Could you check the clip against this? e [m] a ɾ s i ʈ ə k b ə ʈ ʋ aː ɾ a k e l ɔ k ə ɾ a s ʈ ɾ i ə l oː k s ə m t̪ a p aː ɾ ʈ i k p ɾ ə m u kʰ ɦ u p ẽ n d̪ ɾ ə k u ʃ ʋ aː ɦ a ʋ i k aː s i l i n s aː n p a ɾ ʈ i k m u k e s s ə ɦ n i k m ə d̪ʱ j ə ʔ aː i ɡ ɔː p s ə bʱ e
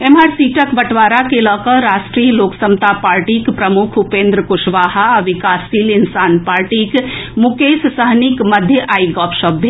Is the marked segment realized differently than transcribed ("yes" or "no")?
no